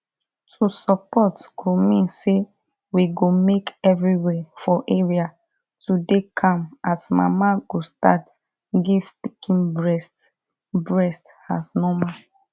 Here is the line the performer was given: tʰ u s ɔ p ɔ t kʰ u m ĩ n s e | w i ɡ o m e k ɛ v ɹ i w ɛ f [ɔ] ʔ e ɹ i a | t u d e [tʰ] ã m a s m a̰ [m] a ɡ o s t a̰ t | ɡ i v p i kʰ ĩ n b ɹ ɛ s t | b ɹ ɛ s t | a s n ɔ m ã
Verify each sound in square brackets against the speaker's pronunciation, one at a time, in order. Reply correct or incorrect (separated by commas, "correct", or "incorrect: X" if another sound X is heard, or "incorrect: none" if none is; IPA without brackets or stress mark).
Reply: correct, incorrect: kʰ, correct